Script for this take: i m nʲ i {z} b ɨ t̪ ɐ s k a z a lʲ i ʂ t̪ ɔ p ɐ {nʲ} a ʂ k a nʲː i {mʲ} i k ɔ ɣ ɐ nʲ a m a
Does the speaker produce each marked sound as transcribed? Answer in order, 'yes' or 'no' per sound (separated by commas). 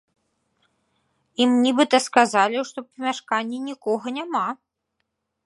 no, no, no